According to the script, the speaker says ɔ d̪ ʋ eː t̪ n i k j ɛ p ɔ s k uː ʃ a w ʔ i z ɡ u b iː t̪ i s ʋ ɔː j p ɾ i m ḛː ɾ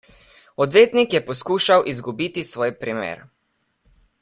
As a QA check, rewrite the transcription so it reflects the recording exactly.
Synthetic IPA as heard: ɔ d̪ ʋ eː t̪ n i k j ɛ p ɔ s k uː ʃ a w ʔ i z ɡ u b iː t̪ i s ʋ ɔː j p ɾ i m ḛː ɾ